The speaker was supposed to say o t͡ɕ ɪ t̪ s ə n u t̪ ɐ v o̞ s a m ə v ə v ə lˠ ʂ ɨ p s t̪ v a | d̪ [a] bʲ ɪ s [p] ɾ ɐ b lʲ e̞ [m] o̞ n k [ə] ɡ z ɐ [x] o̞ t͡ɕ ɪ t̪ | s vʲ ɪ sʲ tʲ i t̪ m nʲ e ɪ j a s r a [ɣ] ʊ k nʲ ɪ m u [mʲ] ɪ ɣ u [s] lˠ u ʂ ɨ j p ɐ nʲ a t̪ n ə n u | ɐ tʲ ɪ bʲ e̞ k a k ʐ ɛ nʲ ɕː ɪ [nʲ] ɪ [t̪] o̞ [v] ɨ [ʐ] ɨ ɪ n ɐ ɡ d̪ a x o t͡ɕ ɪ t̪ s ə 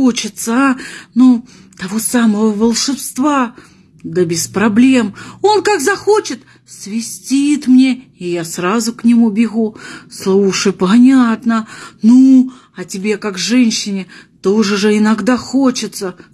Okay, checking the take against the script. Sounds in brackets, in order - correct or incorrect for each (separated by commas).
incorrect, correct, correct, incorrect, correct, incorrect, incorrect, correct, correct, correct, incorrect, correct